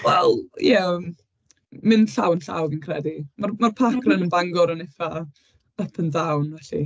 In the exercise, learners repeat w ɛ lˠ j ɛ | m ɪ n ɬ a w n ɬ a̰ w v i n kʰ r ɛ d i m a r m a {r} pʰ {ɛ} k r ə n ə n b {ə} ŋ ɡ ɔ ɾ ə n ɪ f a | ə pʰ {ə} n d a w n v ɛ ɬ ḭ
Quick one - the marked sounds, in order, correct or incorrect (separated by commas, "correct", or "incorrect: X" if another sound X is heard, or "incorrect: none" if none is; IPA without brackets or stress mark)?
correct, incorrect: a, incorrect: a, correct